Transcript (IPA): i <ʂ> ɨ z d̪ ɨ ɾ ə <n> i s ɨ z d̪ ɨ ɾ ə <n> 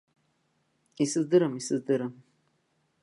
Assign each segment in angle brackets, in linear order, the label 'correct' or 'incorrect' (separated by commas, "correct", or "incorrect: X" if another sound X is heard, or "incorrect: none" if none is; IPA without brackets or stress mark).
incorrect: s, incorrect: m, incorrect: m